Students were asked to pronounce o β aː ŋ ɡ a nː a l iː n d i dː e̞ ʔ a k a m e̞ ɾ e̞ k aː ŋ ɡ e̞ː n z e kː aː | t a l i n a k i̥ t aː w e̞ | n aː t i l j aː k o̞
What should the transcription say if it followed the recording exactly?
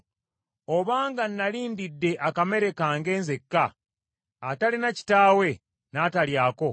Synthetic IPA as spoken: o β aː ŋ ɡ a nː a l iː n d i dː e̞ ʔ a k a m e̞ ɾ e̞ k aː ŋ ɡ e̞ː n z e kː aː | t a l i n a c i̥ t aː w e̞ | n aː t a l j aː k o̞